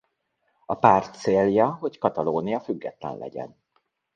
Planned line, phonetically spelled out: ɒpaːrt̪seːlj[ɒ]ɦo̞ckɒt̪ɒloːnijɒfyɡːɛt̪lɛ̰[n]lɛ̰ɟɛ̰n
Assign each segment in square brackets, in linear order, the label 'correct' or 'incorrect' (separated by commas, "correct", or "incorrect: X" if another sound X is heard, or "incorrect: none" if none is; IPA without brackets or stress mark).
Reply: correct, correct